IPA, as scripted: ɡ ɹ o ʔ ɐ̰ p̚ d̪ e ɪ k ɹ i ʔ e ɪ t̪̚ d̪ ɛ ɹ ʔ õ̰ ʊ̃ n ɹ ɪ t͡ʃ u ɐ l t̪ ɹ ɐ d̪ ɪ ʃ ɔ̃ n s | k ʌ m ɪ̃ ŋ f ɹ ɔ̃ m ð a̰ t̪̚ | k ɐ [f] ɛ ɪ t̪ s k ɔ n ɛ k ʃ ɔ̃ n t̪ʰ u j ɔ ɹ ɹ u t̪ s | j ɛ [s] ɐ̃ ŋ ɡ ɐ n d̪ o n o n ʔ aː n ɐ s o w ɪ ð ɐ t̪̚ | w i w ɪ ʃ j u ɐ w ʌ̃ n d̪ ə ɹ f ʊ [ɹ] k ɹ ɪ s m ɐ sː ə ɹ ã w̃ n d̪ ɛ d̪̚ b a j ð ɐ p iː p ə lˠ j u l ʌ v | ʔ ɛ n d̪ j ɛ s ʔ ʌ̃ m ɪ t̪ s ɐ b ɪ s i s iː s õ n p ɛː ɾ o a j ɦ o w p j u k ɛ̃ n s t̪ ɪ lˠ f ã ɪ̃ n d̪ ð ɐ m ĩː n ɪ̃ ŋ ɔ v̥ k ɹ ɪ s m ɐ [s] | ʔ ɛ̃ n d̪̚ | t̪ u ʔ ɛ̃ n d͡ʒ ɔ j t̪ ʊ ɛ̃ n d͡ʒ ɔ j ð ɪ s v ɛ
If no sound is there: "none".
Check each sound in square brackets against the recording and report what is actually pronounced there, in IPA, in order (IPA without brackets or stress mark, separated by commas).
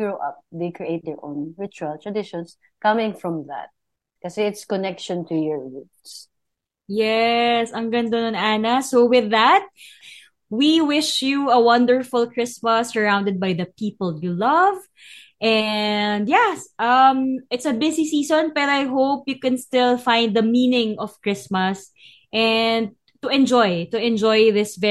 s, s, l, s